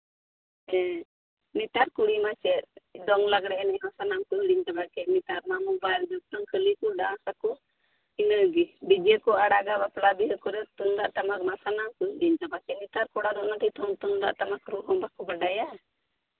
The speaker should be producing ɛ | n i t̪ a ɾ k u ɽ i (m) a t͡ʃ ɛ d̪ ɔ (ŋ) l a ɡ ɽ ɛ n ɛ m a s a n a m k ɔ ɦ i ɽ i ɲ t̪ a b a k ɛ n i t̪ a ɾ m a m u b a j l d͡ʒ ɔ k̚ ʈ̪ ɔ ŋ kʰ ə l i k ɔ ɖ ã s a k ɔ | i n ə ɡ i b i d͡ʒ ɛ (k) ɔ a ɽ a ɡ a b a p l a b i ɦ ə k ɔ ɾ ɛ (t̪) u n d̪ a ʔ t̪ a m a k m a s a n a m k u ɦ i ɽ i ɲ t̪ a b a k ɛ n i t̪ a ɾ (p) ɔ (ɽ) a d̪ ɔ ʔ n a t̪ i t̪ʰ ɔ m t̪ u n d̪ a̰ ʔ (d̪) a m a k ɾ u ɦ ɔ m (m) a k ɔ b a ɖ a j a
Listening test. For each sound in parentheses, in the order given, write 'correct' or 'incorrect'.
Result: correct, correct, correct, correct, incorrect: k, correct, incorrect: t̪, incorrect: b

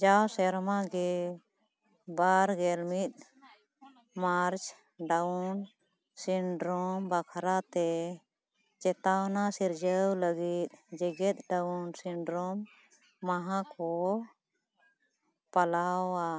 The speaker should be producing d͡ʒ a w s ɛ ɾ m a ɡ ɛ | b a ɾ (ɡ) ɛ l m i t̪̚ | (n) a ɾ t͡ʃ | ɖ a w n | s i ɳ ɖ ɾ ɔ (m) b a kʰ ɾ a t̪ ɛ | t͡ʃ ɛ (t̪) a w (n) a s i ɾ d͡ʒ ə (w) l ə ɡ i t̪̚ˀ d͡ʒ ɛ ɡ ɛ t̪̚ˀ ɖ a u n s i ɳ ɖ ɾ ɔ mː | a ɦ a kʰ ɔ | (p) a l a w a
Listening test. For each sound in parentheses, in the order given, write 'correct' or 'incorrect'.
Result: correct, incorrect: m, correct, correct, correct, correct, correct

